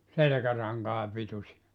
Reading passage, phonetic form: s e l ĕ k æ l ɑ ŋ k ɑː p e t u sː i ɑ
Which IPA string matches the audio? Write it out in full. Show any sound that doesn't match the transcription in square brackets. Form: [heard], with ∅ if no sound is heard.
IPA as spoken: s e l ĕ k æ [r] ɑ ŋ k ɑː p [i] t u [s] i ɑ